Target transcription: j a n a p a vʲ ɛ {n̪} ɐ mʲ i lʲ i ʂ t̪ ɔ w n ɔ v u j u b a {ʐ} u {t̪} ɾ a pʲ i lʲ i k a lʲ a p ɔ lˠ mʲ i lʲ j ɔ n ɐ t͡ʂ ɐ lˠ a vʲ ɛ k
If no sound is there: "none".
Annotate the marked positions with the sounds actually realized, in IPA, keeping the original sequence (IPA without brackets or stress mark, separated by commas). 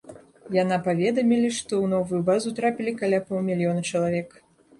d̪, z, t̪